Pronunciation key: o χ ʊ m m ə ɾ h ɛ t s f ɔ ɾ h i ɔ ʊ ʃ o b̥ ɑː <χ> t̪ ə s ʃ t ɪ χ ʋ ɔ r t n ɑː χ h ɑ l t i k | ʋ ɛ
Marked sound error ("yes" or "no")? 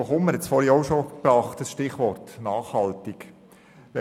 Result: no